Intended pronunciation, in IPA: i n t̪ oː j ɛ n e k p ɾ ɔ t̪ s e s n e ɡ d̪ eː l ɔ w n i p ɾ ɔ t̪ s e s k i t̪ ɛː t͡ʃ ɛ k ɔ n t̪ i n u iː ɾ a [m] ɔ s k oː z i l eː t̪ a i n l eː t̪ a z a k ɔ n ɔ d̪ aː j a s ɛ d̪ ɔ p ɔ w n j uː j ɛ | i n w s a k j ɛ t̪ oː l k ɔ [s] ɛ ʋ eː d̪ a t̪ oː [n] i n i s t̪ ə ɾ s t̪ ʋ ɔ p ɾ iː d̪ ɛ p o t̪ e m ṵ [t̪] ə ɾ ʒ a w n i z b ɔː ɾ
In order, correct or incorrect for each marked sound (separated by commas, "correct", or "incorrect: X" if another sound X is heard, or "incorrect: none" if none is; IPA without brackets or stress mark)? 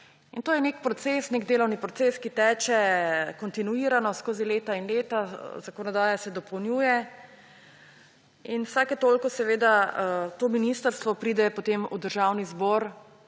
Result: incorrect: n, correct, incorrect: m, incorrect: d̪